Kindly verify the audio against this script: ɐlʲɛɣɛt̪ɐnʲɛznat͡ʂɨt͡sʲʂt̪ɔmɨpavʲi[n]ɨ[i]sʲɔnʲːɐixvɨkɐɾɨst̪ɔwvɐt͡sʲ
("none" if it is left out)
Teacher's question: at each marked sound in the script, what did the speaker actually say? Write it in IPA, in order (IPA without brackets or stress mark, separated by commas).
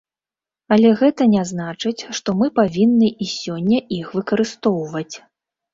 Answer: nː, i